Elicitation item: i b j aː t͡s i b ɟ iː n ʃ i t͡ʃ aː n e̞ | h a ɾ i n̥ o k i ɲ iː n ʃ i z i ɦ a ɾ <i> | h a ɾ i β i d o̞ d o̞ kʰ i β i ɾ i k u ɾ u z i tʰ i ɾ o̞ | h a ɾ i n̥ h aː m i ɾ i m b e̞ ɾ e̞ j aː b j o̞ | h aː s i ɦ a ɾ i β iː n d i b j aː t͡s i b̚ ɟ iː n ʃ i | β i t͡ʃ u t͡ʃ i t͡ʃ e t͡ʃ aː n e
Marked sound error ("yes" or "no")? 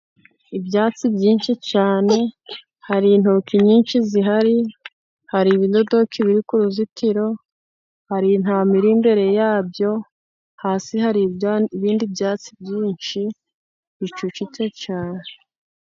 no